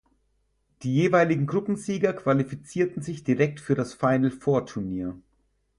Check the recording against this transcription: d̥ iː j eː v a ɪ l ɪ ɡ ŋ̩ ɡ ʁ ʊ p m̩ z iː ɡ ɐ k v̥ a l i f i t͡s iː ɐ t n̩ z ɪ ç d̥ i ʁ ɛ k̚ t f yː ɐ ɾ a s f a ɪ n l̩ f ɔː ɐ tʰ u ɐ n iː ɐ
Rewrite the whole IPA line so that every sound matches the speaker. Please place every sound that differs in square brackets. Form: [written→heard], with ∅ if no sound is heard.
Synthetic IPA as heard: d̥ iː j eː v a ɪ l ɪ ɡ ŋ̩ ɡ ʁ ʊ p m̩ z iː ɡ ɐ k v̥ a l i f i t͡s iː ɐ t n̩ z ɪ ç d̥ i ʁ ɛ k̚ t f yː ɐ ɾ a s f a ɪ n l̩ f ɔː ɐ tʰ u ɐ n iː ɐ